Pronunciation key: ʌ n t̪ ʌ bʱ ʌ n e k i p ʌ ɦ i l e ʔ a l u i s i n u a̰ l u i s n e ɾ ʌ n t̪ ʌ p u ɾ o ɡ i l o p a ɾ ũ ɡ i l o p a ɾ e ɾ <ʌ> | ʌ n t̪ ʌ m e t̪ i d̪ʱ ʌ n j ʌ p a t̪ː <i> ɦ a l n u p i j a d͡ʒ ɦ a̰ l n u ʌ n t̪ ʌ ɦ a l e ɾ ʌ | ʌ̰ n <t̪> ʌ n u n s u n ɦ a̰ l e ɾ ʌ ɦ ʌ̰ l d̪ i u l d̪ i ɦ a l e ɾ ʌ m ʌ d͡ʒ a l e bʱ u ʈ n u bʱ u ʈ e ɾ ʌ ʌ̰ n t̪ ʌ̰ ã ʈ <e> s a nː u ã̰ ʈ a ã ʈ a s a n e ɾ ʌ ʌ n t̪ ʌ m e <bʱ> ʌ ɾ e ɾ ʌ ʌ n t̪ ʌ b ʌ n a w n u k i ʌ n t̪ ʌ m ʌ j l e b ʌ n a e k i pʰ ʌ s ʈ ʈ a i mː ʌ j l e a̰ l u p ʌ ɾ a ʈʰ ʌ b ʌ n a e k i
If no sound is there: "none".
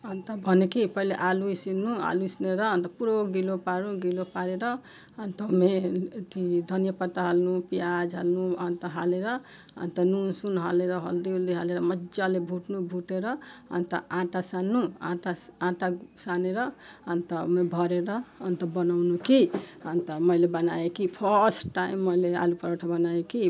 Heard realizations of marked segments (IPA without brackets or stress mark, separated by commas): ʌ, a, t̪, a, bʱ